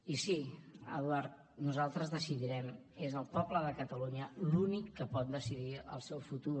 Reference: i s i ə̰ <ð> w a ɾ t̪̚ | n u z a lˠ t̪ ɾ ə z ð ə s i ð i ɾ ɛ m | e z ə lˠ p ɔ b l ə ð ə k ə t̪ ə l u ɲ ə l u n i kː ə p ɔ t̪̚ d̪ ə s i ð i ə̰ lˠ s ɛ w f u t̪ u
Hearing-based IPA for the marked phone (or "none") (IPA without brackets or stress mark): ð